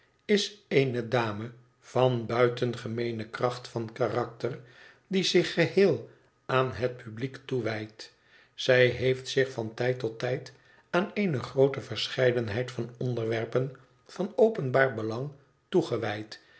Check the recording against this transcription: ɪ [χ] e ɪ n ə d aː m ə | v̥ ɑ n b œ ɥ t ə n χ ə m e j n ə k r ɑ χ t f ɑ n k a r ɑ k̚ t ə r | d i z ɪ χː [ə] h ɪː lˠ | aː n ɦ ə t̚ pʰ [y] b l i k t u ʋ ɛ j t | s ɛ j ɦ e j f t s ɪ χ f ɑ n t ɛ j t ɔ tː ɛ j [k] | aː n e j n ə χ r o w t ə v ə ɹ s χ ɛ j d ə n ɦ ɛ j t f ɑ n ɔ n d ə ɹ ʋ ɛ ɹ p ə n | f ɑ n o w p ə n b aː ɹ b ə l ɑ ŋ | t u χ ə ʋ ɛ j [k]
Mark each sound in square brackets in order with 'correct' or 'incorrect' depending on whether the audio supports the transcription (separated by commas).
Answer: incorrect, correct, correct, incorrect, incorrect